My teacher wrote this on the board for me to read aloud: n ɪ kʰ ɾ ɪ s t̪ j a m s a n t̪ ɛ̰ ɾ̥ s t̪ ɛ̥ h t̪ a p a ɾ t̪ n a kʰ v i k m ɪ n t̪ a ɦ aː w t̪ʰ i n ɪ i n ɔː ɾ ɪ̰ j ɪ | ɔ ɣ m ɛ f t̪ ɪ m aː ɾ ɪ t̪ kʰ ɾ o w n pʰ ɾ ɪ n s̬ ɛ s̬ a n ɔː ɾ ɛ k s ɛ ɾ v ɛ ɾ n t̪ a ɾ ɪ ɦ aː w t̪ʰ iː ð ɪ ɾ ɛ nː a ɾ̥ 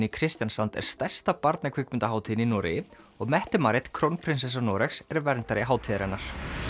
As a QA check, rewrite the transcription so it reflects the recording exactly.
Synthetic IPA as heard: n ɪ kʰ ɾ ɪ s t̪ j a n s a n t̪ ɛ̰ ɾ̥ s t̪ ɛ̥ s t̪ a p a ɾ t̪ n a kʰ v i k m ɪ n t̪ a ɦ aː w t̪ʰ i n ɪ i n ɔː ɾ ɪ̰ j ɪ | ɔ ɣ m ɛ h t̪ ɪ m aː ɾ ɪ t̪ kʰ ɾ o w n pʰ ɾ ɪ n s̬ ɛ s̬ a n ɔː ɾ ɛ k s ɛ ɾ v ɛ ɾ n t̪ a ɾ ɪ ɦ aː w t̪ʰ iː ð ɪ ɾ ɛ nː a ɾ̥